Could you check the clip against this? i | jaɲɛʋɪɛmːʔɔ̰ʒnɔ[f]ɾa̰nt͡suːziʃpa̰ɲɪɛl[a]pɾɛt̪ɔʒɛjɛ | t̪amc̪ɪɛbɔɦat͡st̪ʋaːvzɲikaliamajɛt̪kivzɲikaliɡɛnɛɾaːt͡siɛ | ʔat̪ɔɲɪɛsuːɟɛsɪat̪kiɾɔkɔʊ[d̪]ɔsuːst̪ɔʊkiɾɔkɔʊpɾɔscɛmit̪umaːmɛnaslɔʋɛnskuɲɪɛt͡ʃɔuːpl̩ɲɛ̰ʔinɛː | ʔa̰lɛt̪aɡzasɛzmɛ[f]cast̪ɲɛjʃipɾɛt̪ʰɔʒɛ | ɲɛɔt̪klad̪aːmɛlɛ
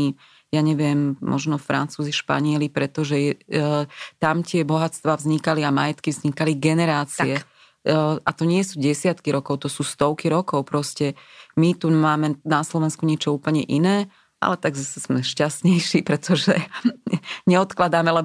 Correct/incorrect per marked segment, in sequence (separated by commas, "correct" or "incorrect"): correct, incorrect, incorrect, incorrect